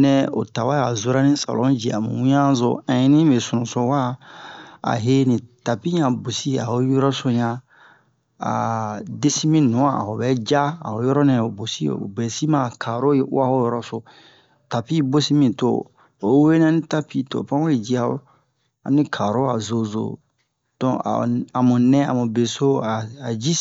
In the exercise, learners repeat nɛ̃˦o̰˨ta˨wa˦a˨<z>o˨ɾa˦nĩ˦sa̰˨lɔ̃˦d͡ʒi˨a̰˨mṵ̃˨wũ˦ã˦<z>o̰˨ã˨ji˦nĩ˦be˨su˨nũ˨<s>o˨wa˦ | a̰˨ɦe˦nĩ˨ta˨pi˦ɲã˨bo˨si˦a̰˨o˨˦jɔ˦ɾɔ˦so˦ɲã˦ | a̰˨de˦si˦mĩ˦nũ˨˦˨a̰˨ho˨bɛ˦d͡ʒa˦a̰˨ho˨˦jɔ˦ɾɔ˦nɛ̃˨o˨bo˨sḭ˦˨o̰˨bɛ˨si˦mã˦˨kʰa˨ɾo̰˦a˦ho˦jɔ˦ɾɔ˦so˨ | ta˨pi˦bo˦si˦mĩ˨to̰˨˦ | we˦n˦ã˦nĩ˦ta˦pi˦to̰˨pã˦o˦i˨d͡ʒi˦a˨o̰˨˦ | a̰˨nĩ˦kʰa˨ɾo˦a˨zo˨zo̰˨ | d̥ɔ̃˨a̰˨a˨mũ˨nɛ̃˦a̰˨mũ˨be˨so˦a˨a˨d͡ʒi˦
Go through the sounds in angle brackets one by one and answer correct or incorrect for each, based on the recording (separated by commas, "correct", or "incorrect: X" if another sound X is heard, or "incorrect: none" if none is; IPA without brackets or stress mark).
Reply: correct, correct, correct